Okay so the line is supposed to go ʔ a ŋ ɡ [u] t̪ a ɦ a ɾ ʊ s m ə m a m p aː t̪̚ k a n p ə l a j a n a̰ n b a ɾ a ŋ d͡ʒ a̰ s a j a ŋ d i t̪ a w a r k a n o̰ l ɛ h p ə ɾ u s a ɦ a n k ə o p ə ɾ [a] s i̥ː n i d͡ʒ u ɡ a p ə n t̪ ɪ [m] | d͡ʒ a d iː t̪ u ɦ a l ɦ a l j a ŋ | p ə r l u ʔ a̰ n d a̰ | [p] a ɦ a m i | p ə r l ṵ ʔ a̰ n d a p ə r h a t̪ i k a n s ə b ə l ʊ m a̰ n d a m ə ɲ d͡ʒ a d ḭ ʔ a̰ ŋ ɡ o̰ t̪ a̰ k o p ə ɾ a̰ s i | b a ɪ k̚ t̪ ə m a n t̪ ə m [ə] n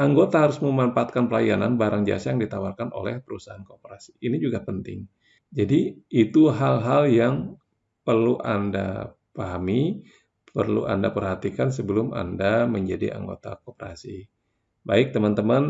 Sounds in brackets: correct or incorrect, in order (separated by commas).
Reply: incorrect, correct, incorrect, correct, incorrect